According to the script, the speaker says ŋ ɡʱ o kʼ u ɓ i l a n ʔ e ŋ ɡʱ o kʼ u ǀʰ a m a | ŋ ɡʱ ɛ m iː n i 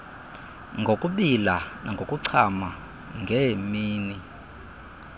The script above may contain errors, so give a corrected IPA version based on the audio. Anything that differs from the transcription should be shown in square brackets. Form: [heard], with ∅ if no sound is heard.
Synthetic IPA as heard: ŋ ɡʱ o kʼ u ɓ i l a n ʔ [a] ŋ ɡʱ o kʼ u ǀʰ a m a | ŋ ɡʱ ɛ m iː n i